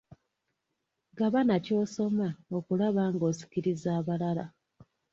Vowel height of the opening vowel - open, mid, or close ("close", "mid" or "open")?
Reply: open